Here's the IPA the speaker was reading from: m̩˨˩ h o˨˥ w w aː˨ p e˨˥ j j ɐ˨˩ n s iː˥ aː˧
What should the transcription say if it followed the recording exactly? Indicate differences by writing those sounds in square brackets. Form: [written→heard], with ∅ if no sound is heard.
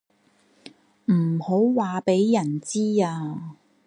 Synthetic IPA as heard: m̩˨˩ h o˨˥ w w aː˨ p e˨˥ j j ɐ˨˩ n [s→t͡s] iː˥ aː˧